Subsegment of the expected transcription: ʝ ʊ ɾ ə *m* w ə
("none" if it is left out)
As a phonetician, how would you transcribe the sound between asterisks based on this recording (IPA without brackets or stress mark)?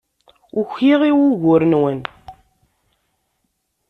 n